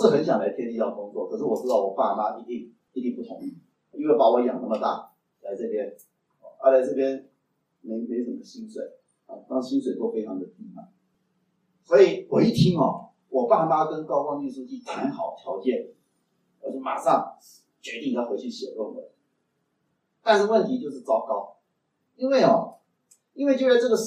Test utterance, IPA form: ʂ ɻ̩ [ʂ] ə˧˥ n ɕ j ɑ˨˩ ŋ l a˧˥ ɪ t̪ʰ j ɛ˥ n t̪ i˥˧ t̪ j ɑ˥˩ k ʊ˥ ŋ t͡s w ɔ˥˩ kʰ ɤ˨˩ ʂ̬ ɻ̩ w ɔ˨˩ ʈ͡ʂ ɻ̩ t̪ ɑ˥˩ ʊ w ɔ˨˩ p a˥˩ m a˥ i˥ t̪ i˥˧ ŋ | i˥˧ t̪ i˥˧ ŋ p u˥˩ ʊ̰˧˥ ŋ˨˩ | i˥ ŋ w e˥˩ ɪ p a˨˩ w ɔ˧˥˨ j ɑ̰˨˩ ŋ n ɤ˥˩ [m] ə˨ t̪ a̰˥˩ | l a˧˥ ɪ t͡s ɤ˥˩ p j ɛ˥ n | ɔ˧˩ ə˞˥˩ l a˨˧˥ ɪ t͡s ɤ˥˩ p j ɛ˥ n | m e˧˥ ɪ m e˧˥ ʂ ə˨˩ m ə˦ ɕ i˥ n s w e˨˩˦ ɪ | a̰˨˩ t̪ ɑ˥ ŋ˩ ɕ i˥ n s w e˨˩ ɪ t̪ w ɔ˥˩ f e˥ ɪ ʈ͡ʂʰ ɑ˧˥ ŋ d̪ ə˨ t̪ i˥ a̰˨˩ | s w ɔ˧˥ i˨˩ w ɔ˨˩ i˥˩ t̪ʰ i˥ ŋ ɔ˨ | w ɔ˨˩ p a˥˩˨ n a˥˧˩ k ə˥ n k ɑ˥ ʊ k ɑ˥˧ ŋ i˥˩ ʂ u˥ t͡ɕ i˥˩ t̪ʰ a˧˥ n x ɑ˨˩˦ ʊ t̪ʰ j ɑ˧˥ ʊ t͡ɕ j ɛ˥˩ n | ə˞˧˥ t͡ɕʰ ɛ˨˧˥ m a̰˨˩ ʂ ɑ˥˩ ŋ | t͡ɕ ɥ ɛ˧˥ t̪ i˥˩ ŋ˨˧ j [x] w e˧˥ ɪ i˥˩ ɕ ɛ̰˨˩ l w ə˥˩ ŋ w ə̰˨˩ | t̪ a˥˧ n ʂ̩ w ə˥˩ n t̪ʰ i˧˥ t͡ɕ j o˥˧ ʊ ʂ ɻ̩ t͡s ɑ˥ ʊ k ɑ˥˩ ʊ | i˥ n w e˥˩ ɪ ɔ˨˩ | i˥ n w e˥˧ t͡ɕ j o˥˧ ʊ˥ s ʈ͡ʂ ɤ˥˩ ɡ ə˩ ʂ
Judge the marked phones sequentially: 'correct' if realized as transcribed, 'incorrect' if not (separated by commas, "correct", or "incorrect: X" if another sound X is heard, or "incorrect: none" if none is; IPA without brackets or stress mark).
incorrect: x, correct, correct